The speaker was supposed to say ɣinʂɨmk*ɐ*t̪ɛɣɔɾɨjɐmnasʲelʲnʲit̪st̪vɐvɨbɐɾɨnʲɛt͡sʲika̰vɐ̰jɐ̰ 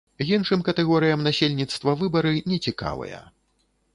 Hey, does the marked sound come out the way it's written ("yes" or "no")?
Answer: yes